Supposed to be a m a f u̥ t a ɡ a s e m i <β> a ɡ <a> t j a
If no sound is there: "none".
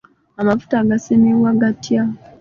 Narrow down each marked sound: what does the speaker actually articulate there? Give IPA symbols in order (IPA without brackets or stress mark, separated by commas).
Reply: w, a